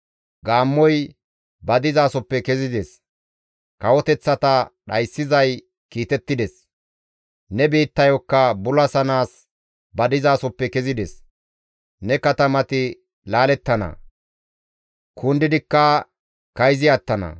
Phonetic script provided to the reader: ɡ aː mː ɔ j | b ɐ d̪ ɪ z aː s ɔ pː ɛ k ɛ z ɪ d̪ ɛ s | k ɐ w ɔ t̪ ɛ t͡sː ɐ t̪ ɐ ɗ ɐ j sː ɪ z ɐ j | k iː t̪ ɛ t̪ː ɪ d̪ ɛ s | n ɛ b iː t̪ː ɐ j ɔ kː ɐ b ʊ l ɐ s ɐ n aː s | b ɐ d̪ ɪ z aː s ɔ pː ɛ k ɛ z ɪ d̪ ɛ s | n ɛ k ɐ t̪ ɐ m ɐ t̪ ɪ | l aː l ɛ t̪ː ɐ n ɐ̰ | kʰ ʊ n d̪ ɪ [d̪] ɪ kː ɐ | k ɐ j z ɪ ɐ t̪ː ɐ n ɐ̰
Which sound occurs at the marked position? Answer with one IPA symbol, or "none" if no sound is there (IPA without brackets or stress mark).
d̪